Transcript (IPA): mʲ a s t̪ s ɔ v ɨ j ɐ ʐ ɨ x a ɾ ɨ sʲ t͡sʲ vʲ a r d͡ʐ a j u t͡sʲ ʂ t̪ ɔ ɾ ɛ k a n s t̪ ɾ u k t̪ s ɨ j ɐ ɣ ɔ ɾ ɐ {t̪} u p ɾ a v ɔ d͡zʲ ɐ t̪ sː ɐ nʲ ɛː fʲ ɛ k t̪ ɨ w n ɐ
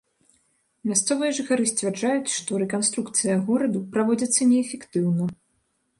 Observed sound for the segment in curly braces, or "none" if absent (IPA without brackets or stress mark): d̪